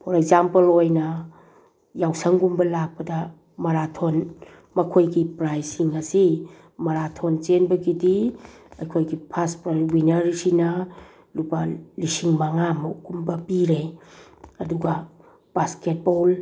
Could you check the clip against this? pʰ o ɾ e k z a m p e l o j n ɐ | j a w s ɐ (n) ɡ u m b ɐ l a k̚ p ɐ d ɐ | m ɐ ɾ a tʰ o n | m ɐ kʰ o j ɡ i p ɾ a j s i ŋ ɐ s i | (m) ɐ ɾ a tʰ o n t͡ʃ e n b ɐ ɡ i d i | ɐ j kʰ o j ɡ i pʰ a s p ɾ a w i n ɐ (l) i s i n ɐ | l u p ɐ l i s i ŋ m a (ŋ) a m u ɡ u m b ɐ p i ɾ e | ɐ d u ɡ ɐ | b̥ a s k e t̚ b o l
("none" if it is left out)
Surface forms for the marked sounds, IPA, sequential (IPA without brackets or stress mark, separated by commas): ŋ, m, ɾ, ŋ